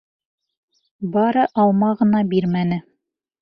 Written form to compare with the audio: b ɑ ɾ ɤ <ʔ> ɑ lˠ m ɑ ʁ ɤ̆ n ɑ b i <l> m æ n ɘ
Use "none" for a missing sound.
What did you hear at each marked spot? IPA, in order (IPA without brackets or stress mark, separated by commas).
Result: ʔ, ɾ